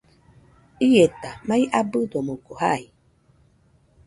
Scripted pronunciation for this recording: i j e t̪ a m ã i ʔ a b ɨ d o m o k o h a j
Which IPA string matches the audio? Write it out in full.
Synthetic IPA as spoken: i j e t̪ a m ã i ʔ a b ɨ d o m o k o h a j

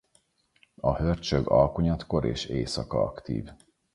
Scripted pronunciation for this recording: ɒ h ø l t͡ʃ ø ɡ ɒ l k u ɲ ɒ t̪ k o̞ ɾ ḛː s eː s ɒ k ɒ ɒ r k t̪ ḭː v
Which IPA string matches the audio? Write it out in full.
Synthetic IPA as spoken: ɒ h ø r t͡ʃ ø ɡ ɒ l k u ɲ ɒ t̪ k o̞ ɾ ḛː ʃ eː s ɒ k ɒ ɒ k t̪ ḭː v

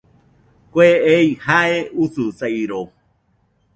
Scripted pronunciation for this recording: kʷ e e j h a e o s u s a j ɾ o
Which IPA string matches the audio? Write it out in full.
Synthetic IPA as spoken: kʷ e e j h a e u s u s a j ɾ o

